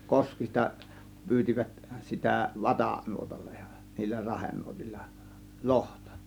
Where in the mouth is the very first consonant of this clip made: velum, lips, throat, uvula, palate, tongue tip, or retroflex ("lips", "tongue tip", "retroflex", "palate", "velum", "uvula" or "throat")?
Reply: velum